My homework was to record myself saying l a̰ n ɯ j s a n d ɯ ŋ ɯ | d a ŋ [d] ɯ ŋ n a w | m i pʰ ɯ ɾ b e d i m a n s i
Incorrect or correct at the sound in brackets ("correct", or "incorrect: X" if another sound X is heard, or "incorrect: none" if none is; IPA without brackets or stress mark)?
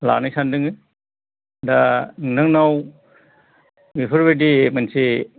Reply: incorrect: n